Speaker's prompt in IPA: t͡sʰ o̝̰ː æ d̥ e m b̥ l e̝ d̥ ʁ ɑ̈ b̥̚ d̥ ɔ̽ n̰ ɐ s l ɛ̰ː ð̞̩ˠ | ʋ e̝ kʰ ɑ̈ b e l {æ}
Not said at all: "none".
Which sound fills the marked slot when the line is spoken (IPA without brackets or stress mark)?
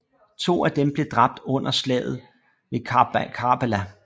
æ